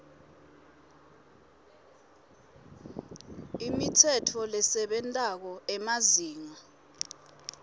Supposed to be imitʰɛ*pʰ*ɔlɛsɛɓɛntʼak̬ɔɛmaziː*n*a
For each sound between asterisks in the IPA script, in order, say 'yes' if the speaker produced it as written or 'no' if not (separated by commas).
no, no